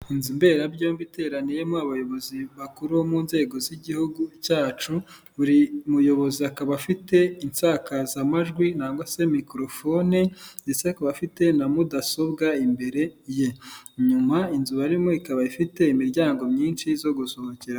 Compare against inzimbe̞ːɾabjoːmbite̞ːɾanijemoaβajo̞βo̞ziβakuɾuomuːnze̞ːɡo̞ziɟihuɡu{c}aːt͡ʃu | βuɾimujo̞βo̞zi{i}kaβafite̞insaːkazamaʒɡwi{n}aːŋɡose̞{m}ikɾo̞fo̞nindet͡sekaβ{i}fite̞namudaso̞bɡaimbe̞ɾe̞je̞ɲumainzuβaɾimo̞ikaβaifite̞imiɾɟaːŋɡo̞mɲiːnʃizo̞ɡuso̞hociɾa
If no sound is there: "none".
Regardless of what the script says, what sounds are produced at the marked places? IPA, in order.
c, a, n, m, a

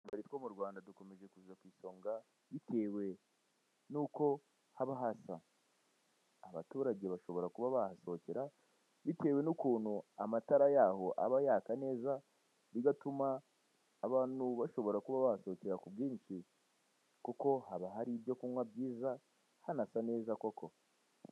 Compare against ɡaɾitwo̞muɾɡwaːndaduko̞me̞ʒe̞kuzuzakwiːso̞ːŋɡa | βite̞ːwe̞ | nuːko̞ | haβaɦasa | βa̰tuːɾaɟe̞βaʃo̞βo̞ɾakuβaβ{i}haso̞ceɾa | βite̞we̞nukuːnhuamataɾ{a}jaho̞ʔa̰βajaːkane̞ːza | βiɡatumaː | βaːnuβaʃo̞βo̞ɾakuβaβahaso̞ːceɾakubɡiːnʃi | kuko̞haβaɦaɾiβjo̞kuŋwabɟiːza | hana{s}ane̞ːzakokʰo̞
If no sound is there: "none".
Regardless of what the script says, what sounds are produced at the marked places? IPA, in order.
a, a, s

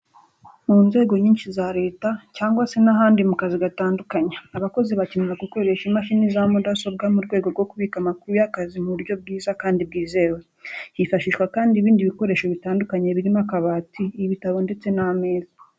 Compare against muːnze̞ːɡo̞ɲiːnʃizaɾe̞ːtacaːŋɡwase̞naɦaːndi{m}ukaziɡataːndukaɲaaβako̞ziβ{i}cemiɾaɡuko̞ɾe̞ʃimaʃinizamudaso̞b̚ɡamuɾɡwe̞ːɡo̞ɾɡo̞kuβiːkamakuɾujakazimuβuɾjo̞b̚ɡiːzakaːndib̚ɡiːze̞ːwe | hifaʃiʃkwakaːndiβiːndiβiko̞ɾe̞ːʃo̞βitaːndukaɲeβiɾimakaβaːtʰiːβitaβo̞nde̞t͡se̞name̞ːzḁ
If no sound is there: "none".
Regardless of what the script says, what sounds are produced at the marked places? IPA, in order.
m, a

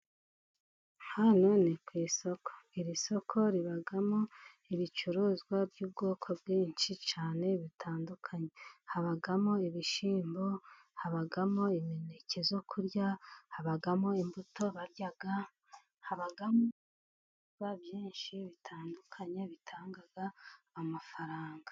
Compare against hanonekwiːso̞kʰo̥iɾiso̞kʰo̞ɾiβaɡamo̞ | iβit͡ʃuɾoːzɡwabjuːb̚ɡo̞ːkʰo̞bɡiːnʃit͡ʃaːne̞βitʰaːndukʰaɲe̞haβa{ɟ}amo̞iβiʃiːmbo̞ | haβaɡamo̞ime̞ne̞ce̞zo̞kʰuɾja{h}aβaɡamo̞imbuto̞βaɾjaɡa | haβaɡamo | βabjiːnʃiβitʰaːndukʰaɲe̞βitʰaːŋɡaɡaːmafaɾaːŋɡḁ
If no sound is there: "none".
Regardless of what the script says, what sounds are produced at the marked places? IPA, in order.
ɡ, h

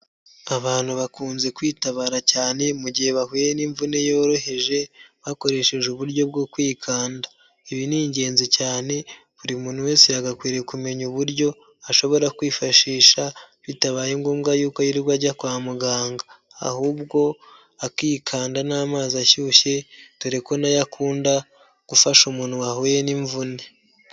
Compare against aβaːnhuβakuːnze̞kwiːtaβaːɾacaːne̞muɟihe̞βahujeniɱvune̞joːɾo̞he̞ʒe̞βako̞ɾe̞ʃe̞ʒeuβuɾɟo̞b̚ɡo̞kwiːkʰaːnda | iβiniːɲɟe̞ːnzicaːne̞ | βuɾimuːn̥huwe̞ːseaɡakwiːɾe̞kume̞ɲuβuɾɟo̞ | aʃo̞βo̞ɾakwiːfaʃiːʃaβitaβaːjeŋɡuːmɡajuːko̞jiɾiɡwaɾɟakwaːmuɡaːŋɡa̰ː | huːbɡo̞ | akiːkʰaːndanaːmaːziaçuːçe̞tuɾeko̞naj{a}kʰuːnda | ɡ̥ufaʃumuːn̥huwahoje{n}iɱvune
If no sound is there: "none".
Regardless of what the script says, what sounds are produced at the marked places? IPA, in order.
a, n

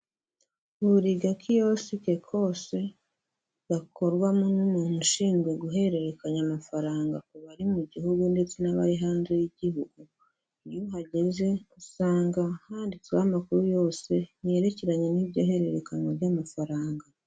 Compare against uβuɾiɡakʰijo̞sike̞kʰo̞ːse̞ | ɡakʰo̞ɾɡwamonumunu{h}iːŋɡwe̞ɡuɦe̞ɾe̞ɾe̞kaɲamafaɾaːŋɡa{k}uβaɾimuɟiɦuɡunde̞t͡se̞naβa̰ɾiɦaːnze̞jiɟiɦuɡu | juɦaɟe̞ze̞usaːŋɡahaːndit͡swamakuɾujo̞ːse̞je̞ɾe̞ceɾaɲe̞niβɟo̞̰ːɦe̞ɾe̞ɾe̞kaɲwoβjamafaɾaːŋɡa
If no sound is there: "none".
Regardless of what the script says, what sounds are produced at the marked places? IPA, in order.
ʃ, k

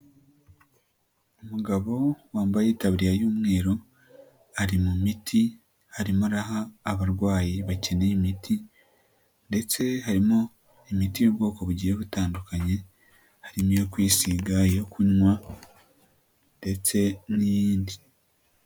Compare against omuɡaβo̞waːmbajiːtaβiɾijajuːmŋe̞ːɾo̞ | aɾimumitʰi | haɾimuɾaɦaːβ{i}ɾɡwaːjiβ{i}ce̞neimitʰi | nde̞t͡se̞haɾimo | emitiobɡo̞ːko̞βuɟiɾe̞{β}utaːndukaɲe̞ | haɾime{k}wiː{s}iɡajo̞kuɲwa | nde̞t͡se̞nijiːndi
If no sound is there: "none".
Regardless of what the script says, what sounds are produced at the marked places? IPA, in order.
a, a, β, k, s

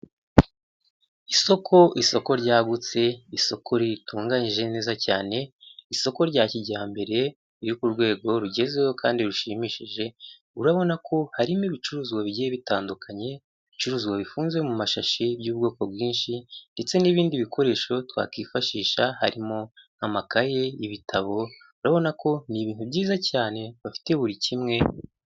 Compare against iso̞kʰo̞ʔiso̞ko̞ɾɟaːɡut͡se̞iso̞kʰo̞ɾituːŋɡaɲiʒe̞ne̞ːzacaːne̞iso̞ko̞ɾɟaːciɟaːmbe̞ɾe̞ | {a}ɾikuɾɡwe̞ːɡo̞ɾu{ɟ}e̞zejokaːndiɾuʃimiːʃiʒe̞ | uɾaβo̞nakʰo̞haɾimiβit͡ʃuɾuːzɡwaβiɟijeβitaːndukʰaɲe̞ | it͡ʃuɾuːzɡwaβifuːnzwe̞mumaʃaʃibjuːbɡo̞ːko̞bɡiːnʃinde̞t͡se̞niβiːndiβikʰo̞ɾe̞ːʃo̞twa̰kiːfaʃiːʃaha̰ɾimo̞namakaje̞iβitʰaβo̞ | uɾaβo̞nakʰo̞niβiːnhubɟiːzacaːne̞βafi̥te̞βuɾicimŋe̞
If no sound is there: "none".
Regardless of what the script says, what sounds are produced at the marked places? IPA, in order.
i, ɟ

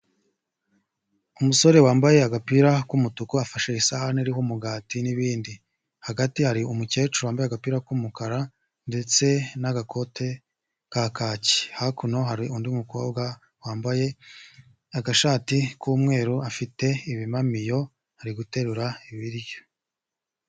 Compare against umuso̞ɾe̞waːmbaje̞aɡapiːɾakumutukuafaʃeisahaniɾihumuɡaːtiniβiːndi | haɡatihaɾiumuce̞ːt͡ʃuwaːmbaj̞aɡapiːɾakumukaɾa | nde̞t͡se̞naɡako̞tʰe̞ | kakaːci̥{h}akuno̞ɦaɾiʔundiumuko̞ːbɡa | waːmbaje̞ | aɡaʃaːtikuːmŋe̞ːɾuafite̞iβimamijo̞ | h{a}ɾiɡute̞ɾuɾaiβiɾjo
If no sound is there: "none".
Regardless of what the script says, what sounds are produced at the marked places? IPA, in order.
h, a

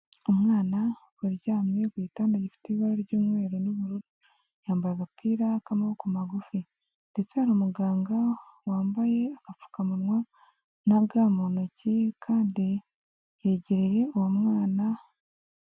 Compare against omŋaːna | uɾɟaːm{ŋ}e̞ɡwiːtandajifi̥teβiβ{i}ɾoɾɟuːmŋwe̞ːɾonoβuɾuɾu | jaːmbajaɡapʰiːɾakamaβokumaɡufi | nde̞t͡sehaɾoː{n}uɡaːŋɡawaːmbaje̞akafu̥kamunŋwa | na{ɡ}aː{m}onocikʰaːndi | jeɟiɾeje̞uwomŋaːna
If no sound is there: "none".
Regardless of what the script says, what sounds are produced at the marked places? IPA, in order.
ɲ, a, m, ɡ, m

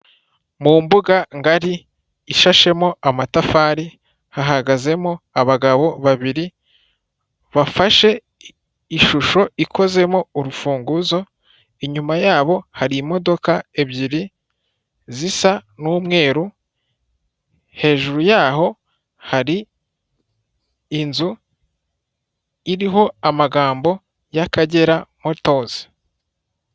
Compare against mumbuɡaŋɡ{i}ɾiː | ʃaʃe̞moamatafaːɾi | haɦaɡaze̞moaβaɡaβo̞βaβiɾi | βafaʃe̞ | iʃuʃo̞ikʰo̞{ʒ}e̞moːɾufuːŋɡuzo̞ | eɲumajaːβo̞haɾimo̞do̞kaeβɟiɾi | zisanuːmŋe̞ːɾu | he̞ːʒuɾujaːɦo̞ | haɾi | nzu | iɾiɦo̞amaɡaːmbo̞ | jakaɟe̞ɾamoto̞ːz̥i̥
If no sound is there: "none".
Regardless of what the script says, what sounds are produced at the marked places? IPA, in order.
a, z

